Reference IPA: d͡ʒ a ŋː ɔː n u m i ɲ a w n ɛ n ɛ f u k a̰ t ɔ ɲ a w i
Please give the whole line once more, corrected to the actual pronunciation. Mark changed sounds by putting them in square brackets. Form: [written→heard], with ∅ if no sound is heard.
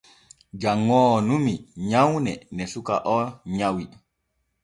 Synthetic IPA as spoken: d͡ʒ a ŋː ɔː n u m i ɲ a w n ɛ n ɛ [f→s] u k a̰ [t→ʔ] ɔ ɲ a w i